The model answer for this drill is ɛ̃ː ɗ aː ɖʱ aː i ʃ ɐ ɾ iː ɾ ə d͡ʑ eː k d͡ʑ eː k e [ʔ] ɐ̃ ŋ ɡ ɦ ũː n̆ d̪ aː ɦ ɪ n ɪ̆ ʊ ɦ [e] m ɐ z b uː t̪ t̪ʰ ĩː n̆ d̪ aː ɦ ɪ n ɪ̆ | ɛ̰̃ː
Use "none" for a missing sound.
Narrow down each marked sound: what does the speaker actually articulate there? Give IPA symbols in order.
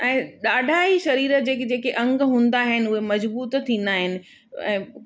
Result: ʔ, e

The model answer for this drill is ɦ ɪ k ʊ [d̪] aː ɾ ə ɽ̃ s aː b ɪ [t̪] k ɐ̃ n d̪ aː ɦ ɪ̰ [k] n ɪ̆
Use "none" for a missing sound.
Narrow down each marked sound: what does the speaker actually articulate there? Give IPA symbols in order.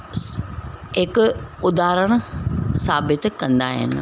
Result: d̪, t̪, none

